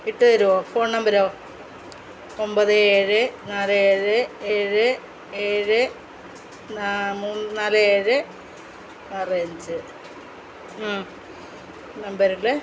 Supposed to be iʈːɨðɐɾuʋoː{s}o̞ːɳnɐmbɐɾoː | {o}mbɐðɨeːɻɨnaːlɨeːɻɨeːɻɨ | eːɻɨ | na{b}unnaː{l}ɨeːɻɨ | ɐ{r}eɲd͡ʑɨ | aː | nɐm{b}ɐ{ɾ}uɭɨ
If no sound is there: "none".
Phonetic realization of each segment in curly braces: f, o, m, l, r, b, ɾ

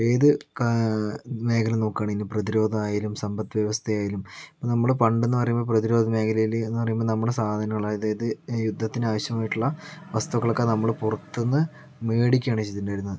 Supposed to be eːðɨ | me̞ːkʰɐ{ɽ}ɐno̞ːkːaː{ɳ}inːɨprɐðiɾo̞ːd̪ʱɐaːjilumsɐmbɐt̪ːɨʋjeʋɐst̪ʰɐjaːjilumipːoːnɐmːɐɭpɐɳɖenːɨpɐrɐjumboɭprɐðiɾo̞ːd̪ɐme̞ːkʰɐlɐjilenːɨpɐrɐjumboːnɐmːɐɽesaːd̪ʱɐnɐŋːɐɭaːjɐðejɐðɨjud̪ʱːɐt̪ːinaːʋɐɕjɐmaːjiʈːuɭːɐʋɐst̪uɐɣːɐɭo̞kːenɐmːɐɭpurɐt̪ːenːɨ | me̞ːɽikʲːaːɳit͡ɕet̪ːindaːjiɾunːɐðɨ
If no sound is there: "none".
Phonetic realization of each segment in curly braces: l, ɳ

